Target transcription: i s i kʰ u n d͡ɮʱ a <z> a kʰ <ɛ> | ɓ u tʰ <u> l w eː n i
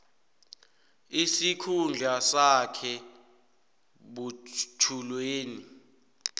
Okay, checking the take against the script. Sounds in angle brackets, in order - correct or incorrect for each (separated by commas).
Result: incorrect, correct, correct